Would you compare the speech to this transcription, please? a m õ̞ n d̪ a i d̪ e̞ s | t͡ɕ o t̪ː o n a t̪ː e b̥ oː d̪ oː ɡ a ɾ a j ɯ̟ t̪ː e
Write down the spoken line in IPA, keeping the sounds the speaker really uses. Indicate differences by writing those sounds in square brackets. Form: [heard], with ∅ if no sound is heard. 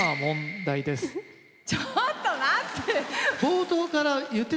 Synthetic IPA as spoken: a m õ̞ n d̪ a i d̪ e̞ s | t͡ɕ o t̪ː o n a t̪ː e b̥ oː [t̪] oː [k] a ɾ a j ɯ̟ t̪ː e